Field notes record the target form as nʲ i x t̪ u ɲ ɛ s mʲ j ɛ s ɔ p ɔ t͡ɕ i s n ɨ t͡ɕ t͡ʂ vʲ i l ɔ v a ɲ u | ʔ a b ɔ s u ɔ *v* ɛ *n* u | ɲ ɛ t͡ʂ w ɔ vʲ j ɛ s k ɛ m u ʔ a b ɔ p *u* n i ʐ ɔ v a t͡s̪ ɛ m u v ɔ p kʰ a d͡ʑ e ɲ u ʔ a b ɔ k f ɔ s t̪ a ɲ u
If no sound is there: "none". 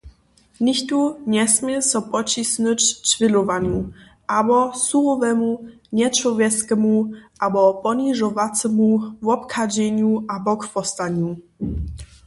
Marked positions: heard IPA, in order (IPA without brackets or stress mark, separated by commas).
v, m, ɔ